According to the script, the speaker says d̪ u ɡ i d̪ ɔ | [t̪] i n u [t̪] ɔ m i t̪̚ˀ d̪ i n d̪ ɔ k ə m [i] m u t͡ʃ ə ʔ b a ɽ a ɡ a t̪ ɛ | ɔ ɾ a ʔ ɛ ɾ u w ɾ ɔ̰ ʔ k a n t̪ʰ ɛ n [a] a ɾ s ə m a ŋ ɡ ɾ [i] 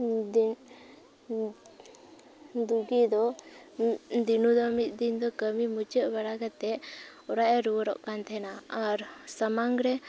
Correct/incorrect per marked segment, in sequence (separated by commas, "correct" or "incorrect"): incorrect, incorrect, correct, correct, incorrect